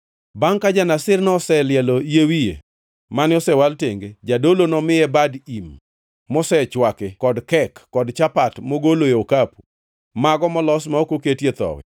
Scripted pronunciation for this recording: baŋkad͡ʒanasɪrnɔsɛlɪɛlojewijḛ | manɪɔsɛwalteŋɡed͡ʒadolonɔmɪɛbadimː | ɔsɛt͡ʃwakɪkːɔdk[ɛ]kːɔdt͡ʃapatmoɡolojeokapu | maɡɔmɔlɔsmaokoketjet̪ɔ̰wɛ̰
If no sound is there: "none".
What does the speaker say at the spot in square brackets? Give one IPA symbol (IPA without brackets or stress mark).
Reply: ɛ